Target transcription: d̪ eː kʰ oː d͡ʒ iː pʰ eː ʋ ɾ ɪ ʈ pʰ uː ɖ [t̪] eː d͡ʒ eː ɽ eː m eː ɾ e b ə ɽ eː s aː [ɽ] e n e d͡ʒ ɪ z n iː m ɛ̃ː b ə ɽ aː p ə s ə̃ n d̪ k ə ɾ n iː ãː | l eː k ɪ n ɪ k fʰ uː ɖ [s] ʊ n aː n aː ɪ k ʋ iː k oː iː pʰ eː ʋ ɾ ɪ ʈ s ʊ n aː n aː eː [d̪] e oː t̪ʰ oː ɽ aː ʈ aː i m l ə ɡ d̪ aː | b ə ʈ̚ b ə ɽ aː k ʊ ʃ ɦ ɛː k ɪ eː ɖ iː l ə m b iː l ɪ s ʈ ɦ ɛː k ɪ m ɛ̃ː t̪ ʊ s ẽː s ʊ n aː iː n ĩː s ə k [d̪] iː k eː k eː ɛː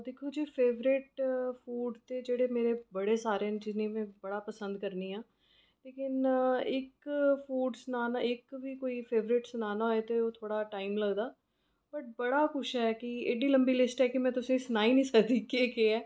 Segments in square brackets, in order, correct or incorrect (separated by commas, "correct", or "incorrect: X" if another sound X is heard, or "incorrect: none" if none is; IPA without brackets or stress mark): correct, incorrect: ɾ, correct, incorrect: t̪, correct